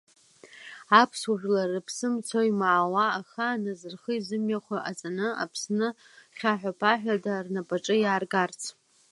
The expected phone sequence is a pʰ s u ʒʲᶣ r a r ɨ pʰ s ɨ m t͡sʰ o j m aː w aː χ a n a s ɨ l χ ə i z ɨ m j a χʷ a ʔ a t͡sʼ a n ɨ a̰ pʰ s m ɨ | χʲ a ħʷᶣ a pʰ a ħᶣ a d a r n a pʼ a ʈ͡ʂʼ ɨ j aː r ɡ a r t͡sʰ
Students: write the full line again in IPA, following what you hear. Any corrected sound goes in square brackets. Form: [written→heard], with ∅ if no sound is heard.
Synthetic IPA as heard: a pʰ s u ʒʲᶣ [r→l] a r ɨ pʰ s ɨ m t͡sʰ o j m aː w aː χ a n a [s→z] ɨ [l→r] χ ə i z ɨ m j a χʷ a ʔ a t͡sʼ a n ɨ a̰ pʰ s [m→n] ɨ | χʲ a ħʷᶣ a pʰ a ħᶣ a d a r n a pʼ a ʈ͡ʂʼ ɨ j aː r ɡ a r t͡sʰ